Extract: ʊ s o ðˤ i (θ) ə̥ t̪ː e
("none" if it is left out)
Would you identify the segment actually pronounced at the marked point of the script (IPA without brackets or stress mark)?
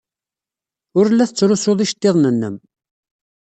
ʃ